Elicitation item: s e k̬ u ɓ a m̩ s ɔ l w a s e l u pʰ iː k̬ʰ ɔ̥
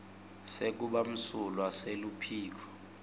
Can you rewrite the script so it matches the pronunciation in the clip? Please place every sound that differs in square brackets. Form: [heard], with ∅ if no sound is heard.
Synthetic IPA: s e k̬ u ɓ a m̩ s [u] l w a s e l u pʰ iː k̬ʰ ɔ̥